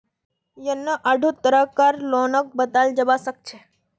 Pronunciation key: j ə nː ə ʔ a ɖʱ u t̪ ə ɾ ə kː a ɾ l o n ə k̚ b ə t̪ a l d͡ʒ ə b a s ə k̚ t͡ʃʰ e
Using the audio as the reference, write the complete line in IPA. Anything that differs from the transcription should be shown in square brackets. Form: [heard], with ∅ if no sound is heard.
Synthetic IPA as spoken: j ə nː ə ʔ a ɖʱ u t̪ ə ɾ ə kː a ɾ l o n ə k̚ b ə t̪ a l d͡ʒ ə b a s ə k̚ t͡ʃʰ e